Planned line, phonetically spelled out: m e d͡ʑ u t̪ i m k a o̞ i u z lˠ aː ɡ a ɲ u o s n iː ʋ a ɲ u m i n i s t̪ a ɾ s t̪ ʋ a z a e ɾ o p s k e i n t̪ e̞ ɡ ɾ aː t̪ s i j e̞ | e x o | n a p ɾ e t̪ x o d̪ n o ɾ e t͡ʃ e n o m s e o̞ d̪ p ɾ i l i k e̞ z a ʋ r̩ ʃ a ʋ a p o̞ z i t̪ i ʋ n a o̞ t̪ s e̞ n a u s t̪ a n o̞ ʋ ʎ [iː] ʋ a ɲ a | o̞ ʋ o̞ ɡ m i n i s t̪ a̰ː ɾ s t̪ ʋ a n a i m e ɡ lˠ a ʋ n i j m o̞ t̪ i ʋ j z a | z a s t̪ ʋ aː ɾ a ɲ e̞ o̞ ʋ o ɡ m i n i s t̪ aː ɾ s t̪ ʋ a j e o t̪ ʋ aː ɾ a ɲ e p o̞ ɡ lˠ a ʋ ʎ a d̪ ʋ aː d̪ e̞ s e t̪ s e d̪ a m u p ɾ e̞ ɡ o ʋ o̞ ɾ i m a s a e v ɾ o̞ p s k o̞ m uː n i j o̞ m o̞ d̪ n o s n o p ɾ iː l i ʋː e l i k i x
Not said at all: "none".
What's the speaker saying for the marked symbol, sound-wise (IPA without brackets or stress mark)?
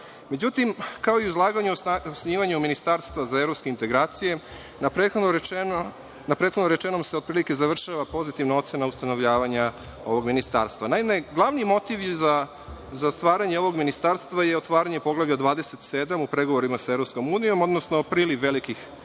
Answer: aː